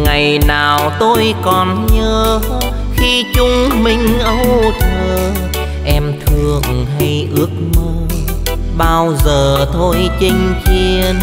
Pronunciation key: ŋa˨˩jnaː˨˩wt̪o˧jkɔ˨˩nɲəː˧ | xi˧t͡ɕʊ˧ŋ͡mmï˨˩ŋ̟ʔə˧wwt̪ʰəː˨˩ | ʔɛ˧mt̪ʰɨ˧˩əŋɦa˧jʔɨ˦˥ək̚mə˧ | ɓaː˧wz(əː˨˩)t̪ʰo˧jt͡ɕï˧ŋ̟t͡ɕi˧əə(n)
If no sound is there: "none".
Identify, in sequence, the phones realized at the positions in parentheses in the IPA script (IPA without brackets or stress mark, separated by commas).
əː˨˩, n